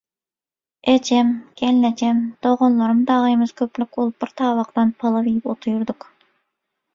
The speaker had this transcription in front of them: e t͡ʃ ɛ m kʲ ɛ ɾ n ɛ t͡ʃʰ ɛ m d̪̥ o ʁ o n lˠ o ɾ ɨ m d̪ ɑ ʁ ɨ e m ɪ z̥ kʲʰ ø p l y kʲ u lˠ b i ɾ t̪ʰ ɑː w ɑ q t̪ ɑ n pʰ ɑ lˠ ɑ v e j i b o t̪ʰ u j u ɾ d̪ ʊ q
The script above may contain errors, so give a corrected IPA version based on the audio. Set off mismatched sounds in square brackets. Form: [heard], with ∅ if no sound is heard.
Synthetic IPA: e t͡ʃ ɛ m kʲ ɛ [l] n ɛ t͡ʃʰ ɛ m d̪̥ o ʁ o n lˠ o ɾ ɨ m d̪ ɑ ʁ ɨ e m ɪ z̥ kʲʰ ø p l y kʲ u lˠ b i ɾ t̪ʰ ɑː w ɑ q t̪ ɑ n pʰ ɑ lˠ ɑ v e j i [p] o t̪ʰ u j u ɾ d̪ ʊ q